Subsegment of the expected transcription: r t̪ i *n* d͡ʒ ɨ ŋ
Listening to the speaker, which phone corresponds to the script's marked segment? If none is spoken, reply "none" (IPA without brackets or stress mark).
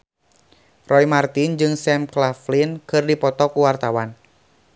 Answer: n